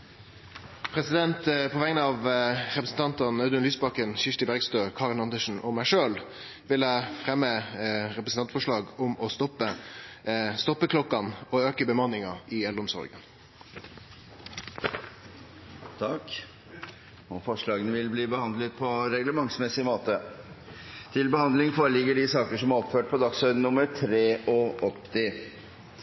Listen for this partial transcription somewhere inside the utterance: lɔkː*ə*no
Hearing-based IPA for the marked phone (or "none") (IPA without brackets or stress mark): ɑ